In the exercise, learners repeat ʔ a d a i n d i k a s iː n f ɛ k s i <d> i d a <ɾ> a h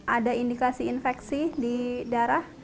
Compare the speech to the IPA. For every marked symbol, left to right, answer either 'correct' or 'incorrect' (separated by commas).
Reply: correct, correct